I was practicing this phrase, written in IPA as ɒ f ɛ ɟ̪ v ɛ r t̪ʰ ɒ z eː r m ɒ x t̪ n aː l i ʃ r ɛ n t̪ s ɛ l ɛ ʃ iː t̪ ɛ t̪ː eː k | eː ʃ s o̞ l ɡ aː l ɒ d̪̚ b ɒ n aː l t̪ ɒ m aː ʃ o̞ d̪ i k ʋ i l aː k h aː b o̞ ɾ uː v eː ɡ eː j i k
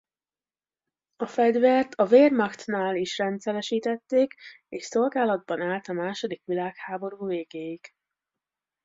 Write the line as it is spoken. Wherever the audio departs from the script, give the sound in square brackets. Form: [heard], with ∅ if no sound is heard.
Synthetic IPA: ɒ f ɛ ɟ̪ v ɛ r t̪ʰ ɒ [v] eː r m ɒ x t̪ n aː l i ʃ r ɛ n t̪ s ɛ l ɛ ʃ iː t̪ ɛ t̪ː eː k | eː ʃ s o̞ l ɡ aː l ɒ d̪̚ b ɒ n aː l t̪ ɒ m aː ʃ o̞ d̪ i k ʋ i l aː k h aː b o̞ ɾ uː v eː ɡ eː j i k